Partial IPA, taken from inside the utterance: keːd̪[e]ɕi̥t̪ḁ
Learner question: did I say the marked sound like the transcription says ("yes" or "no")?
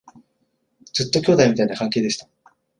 yes